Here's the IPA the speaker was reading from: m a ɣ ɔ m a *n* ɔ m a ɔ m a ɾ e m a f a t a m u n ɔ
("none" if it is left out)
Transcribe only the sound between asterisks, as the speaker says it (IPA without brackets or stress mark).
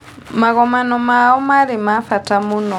n